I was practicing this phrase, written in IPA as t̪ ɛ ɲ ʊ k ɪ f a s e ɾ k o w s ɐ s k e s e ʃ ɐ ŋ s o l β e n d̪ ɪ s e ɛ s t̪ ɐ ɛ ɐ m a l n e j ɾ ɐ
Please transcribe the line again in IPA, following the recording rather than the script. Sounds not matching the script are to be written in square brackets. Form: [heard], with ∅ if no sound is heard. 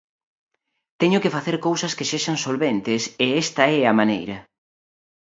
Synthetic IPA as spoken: t̪ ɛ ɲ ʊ k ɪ f a [θ] e ɾ k o w s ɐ s k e s e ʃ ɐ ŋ s o l β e n [t̪] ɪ s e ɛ s t̪ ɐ ɛ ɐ m a [∅] n e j ɾ ɐ